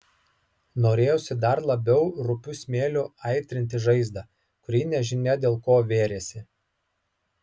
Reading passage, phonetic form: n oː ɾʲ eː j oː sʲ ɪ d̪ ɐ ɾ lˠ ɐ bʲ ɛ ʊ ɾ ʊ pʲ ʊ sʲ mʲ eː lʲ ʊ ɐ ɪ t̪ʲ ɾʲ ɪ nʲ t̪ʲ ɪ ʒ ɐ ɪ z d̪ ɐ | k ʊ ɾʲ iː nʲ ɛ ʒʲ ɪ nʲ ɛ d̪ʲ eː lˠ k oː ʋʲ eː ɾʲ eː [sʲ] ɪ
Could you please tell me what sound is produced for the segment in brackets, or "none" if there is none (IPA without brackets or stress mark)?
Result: sʲ